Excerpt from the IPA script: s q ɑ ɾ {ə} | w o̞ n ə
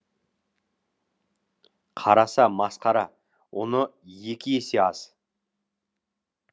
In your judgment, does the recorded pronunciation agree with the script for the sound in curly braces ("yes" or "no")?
no